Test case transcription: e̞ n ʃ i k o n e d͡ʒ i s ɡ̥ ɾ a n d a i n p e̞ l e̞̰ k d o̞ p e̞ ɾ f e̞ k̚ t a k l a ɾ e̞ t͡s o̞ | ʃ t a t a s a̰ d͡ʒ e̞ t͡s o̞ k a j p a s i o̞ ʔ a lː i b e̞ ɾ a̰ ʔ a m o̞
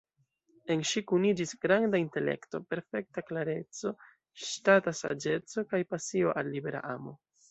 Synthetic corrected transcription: e̞ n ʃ i k u n i d͡ʒ i s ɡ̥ ɾ a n d a i n t e̞ l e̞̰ k t o̞ p e̞ ɾ f e̞ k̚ t a k l a ɾ e̞ t͡s o̞ | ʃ t a t a s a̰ d͡ʒ e̞ t͡s o̞ k a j p a s i o̞ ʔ a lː i b e̞ ɾ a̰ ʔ a m o̞

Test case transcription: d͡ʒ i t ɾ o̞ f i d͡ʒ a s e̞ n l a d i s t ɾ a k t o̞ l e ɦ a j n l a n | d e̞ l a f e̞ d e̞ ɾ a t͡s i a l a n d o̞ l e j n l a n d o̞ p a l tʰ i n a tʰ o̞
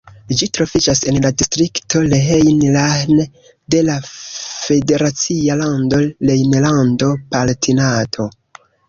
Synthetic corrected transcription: d͡ʒ i t ɾ o̞ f i d͡ʒ a s e̞ n l a d i s t ɾ i k t o̞ l e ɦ e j n l a n | d e̞ l a f e̞ d e̞ ɾ a t͡s i a l a n d o̞ l e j n l a n d o̞ p a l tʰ i n a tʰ o̞

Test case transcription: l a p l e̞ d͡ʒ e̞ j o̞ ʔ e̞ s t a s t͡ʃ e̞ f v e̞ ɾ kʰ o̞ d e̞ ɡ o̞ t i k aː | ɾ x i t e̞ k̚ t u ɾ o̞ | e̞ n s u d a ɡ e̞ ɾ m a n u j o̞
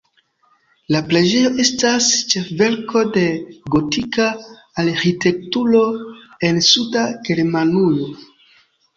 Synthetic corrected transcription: l a p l e̞ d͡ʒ e̞ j o̞ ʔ e̞ s t a s t͡ʃ e̞ f v e̞ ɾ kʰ o̞ d e̞ ɡ o̞ t i k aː | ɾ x i t e̞ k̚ t u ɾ o̞ | e̞ n s u d a ɡ e̞ ɾ m a n u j o̞

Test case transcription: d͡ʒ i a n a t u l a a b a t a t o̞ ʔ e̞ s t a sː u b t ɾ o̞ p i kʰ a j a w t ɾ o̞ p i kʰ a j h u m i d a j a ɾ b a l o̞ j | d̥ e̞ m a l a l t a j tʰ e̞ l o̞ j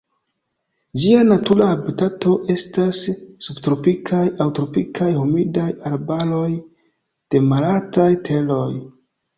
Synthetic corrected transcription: d͡ʒ i a n a t u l a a b i t a t o̞ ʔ e̞ s t a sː u b t ɾ o̞ p i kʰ a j a w t ɾ o̞ p i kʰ a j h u m i d a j a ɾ b a l o̞ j | d̥ e̞ m a l a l t a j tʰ e̞ l o̞ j

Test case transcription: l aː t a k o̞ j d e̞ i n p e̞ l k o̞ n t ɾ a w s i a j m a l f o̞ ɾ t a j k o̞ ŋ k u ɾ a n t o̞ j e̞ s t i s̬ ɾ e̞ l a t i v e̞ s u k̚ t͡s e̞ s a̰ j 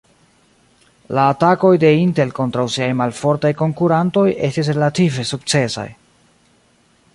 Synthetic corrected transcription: l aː t a k o̞ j d e̞ i n t e̞ l k o̞ n t ɾ a w s i a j m a l f o̞ ɾ t a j k o̞ ŋ k u ɾ a n t o̞ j e̞ s t i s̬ ɾ e̞ l a t i v e̞ s u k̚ t͡s e̞ s a̰ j

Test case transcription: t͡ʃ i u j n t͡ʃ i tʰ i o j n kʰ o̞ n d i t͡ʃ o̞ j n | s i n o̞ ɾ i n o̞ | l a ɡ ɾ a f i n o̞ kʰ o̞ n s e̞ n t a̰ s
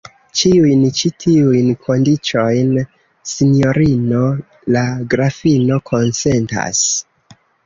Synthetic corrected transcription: t͡ʃ i u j n t͡ʃ i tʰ i u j n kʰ o̞ n d i t͡ʃ o̞ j n | s i n o̞ ɾ i n o̞ | l a ɡ ɾ a f i n o̞ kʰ o̞ n s e̞ n t a̰ s

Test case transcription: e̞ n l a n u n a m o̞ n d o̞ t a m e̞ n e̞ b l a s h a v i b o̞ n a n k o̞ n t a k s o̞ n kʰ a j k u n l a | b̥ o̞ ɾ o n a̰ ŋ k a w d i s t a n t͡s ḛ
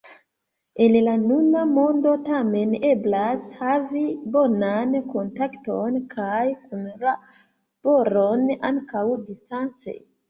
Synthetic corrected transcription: e̞ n l a n u n a m o̞ n d o̞ t a m e̞ n e̞ b l a s h a v i b o̞ n a n k o̞ n t a k t o̞ n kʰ a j k u n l a | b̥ o̞ ɾ o n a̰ ŋ k a w d i s t a n t͡s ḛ

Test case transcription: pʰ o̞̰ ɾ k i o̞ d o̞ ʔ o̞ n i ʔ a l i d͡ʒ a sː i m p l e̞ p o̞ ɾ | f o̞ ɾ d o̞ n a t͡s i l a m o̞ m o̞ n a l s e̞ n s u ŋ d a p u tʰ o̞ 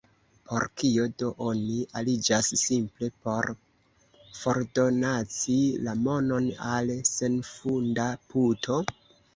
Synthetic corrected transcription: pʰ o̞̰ ɾ k i o̞ d o̞ ʔ o̞ n i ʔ a l i d͡ʒ a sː i m p l e̞ p o̞ ɾ | f o̞ ɾ d o̞ n a t͡s i l a m o̞ n o̞ n a l s e̞ n f u n d a p u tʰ o̞

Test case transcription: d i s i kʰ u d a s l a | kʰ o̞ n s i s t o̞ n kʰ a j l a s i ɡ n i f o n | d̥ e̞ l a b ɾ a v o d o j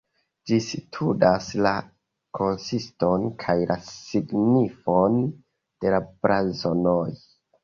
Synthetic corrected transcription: d͡ʒ i s i tʰ u d a s l a | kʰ o̞ n s i s t o̞ n kʰ a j l a s i ɡ n i f o n | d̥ e̞ l a b ɾ a z o n o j

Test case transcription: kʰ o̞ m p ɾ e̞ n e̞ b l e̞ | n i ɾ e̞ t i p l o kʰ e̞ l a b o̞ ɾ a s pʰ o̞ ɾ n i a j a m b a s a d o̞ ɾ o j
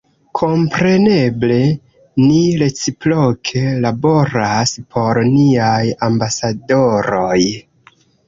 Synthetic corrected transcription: kʰ o̞ m p ɾ e̞ n e̞ b l e̞ | n i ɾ e̞ t͡s i p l o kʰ e̞ l a b o̞ ɾ a s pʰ o̞ ɾ n i a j a m b a s a d o̞ ɾ o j

